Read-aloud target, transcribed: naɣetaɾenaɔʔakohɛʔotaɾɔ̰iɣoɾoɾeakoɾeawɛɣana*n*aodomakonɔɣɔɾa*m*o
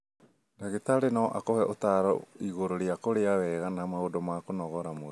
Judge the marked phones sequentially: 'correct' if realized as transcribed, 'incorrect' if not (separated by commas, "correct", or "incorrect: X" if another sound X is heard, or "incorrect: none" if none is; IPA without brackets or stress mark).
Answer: incorrect: m, correct